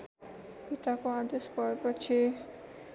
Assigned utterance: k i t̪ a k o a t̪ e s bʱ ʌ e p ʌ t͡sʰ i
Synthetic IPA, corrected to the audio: p i t̪ a k o a d̪ e s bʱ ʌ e p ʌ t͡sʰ i

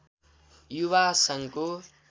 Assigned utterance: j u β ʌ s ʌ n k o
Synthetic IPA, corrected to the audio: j u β a s ʌ ŋ k o

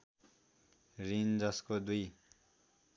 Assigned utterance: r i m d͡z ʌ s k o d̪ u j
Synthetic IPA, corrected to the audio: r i n d͡z ʌ s k o d̪ u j

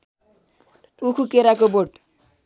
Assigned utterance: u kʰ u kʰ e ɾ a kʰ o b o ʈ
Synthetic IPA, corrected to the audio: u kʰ u k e ɾ a k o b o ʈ

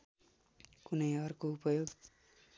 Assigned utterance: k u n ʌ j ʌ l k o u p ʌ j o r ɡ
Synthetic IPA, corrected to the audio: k u n ʌ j ʌ r k o u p ʌ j o ɡ

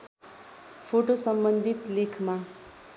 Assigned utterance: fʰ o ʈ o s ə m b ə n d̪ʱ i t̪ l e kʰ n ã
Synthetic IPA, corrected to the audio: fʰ o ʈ o s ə m b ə n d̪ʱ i t̪ l e kʰ m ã

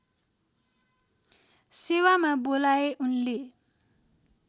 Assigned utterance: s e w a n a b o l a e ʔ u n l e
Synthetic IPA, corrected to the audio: s e w a m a b o l a e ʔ u n l e

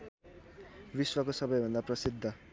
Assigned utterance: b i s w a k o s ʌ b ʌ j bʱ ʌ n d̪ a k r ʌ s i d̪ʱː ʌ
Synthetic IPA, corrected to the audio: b i s w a k o s ʌ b ʌ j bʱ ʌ n d̪ a p r ʌ s i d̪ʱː ʌ

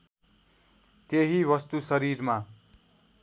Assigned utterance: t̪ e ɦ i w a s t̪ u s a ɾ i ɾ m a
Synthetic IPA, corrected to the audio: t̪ e ɦ i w ʌ s t̪ u s ʌ ɾ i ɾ m a

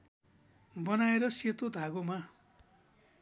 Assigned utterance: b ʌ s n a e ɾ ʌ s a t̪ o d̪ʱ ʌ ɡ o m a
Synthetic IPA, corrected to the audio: b ʌ n a e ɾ ʌ s e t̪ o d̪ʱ a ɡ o m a

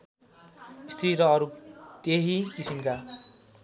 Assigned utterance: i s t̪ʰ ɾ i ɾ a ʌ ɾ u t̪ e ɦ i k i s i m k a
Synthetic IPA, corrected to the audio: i s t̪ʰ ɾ i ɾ ʌ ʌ ɾ u t̪ e ɦ i k i s i m k a

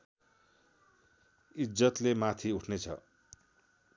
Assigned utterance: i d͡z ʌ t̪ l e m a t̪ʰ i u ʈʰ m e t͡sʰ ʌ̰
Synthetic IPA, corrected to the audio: i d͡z ʌ t̪ l e m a t̪ʰ i u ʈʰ n e t͡sʰ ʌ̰

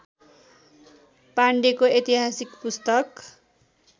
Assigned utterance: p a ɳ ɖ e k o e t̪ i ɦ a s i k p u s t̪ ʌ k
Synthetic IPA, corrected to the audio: p a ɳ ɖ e k o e t̪ i ɦ a s i k p u s t̪ ʌ k

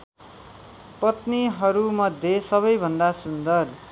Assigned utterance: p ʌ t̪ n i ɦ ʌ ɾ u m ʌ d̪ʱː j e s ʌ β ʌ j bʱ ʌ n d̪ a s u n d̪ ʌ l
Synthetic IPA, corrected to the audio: p ʌ t̪ n i ɦ ʌ ɾ u m ʌ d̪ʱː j e s ʌ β ʌ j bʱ ʌ n d̪ a s u n d̪ ʌ r

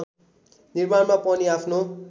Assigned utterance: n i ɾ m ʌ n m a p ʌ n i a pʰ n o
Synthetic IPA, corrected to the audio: n i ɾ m a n m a p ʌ n i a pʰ n o

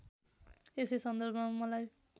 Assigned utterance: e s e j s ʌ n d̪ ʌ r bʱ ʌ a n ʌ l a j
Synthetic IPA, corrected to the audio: e s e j s ʌ n d̪ ʌ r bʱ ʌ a m ʌ l a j

